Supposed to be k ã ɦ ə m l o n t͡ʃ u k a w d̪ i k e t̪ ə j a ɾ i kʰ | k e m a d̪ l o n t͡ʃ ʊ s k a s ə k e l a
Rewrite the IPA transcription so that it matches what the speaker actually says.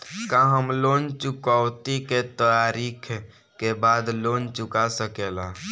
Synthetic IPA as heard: k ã ɦ ə m l o n t͡ʃ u k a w t̪ i k e t̪ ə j a ɾ i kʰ | k e b a d̪ l o n t͡ʃ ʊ k a s ə k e l a